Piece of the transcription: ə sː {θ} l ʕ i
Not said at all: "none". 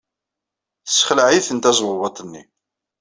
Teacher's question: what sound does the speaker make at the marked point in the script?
χ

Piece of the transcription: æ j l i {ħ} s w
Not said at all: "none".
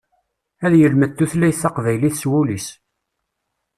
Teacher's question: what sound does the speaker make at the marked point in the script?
θ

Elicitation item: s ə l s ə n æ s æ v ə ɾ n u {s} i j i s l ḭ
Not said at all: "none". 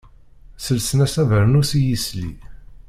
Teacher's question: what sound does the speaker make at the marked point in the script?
s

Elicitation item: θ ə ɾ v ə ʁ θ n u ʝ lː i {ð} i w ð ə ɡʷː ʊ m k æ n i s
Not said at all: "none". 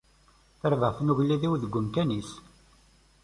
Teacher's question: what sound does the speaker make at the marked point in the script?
ð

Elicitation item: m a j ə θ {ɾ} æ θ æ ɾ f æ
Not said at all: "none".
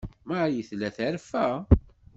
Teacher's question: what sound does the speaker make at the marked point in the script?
l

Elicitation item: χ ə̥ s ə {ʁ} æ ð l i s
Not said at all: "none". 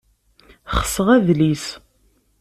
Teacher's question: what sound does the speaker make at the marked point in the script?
ʁ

